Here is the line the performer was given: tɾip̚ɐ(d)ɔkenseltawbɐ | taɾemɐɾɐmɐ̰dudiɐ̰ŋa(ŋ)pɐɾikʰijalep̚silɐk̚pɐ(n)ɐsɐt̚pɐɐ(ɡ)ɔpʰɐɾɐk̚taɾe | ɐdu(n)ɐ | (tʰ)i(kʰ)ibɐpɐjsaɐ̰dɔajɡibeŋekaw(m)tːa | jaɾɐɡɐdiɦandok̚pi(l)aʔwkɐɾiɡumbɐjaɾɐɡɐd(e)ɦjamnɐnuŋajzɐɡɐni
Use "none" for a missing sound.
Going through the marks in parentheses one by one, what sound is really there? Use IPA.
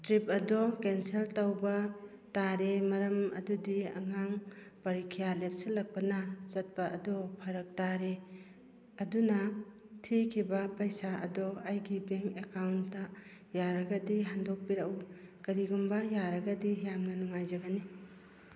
d, ŋ, n, d, n, tʰ, kʰ, n, ɾ, i

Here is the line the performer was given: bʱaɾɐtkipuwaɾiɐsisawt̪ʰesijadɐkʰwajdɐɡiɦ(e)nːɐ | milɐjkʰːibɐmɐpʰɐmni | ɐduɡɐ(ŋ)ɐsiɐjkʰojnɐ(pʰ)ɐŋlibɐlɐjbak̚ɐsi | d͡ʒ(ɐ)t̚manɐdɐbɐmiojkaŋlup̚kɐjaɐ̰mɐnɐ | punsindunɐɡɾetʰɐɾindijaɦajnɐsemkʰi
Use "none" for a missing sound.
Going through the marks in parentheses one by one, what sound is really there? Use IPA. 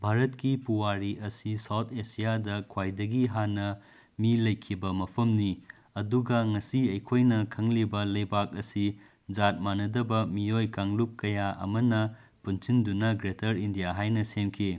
a, ŋ, kʰ, a

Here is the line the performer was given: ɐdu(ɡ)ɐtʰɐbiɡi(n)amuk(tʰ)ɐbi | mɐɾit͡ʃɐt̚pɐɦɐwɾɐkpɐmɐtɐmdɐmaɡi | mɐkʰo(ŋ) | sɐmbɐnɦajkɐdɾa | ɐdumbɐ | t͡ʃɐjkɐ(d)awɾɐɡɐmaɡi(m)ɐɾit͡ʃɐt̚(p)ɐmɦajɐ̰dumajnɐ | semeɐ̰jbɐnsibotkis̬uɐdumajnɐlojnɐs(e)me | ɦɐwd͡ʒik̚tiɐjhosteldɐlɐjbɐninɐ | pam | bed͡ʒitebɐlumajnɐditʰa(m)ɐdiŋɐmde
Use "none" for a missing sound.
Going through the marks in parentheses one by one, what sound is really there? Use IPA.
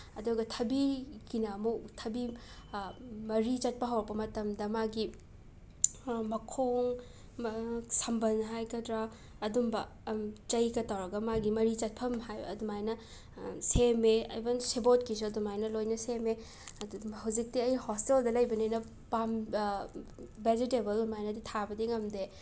ɡ, n, tʰ, ŋ, t, m, pʰ, e, b

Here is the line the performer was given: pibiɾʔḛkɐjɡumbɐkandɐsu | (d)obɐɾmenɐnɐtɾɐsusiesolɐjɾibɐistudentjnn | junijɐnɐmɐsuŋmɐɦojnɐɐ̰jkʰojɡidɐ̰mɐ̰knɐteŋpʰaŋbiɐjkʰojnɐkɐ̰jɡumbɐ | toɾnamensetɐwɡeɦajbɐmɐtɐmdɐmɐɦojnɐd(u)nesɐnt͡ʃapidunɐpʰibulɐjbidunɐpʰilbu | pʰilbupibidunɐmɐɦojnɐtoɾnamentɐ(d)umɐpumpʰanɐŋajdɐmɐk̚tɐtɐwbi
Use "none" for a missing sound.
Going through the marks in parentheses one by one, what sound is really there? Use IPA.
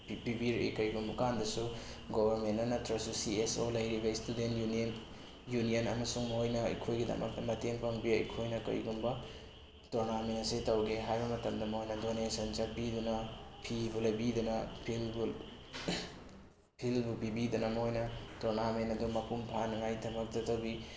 ɡ, o, d

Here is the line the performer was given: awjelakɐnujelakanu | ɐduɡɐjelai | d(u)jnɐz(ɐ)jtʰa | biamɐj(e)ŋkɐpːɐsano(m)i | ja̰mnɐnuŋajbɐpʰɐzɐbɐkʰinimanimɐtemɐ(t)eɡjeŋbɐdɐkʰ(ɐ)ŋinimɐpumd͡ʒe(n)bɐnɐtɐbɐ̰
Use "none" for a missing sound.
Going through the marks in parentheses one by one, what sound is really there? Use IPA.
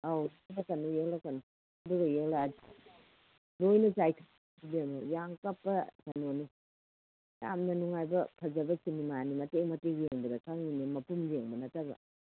o, a, a, n, t, a, ŋ

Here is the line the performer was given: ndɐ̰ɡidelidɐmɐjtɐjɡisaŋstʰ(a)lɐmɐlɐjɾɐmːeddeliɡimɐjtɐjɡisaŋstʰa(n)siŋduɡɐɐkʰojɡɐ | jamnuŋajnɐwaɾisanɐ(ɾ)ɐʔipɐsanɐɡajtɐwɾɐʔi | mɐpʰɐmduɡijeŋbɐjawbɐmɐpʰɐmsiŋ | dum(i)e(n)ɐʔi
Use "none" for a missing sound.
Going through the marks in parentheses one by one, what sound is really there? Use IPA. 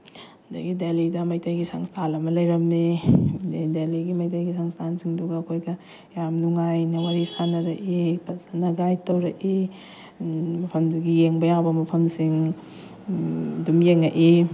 a, n, ɾ, j, ŋ

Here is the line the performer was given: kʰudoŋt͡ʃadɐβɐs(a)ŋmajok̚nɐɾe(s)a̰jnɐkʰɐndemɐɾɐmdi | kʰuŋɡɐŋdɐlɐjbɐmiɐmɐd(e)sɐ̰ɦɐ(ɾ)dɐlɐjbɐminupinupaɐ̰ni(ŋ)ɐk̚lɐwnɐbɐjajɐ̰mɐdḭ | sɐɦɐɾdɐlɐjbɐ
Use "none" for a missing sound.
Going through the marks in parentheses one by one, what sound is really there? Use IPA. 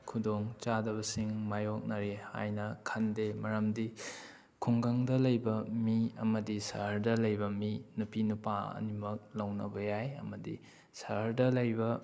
i, h, i, ɾ, m

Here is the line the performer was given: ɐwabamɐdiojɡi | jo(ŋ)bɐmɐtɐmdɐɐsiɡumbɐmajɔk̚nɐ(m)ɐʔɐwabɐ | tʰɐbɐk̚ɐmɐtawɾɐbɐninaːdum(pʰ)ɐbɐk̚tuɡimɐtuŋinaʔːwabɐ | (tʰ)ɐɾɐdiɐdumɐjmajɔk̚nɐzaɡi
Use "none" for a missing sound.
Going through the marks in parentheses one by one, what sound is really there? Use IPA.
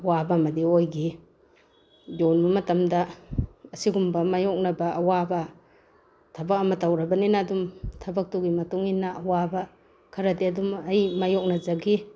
n, b, tʰ, kʰ

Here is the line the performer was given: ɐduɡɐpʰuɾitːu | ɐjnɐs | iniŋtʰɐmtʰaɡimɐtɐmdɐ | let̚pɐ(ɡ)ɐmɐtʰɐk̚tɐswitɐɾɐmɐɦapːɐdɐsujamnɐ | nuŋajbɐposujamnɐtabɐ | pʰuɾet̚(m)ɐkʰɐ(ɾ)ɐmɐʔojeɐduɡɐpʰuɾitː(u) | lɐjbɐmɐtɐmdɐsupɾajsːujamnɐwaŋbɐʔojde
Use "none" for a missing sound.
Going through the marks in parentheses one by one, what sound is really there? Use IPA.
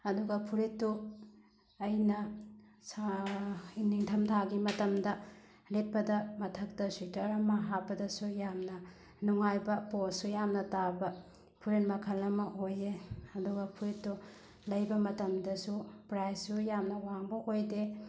d, m, l, u

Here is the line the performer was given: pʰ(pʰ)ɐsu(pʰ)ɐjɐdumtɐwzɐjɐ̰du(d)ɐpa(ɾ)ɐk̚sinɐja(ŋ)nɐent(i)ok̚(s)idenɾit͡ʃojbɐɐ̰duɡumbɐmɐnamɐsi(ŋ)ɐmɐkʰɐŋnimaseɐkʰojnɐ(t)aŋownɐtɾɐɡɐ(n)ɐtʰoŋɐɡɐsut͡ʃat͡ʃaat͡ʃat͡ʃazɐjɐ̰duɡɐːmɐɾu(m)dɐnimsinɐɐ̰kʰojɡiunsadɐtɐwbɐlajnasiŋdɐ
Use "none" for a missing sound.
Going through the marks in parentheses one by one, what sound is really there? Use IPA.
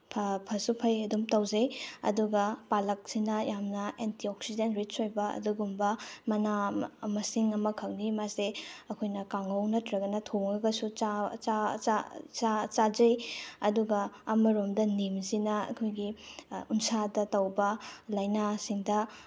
pʰ, pʰ, ɡ, l, m, i, s, ŋ, k, n, m

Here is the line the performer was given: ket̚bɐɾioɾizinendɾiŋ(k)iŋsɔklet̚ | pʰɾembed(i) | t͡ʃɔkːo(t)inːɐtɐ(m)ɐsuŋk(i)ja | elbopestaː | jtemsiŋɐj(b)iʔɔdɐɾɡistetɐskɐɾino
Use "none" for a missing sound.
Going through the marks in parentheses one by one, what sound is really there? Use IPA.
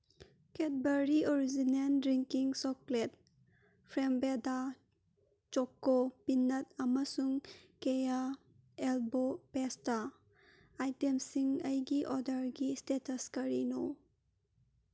k, a, p, m, e, ɡ

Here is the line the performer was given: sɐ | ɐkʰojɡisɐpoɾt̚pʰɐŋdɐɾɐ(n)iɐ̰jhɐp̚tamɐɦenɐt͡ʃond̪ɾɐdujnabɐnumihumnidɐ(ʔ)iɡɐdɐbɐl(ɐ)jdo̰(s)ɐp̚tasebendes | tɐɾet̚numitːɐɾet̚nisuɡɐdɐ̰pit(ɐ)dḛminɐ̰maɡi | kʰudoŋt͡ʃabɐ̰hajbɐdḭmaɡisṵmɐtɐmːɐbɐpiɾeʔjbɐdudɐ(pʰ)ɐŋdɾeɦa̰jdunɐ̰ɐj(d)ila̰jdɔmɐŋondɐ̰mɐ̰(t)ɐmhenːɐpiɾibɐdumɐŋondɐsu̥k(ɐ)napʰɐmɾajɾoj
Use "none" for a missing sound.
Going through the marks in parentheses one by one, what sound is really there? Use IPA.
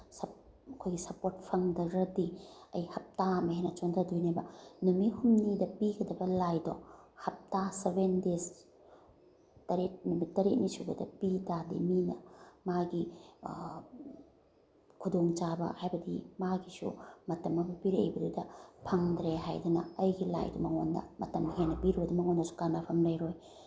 d, p, a, h, a, pʰ, ɡ, t, a

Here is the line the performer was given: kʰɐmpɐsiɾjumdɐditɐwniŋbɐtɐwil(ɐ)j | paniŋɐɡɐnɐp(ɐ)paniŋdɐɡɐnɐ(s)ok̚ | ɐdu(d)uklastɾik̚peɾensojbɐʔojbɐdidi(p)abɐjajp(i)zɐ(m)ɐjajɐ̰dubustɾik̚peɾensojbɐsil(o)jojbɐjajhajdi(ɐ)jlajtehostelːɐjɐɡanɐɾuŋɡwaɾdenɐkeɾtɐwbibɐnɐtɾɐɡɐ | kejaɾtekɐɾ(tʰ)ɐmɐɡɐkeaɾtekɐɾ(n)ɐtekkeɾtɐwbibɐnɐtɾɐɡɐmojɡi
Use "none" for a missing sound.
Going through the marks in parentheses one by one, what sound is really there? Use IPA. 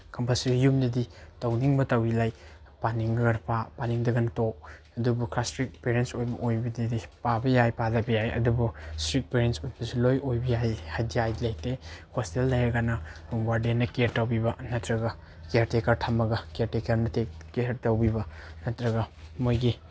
a, a, t, b, p, a, b, o, a, tʰ, n

